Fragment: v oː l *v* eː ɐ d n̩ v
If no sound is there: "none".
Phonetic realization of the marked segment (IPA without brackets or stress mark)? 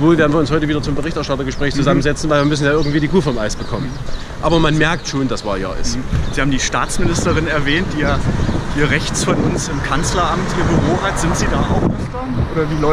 v